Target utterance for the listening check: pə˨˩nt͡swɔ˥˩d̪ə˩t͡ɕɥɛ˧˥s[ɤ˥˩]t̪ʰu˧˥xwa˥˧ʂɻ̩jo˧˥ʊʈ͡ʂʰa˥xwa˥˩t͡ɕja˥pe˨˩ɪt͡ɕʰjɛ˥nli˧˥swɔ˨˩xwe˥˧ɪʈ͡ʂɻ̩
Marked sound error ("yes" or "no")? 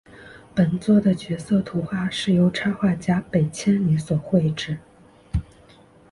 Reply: no